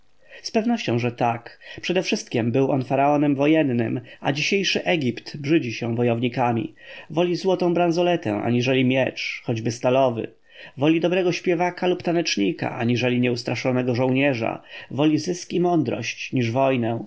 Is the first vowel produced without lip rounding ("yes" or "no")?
yes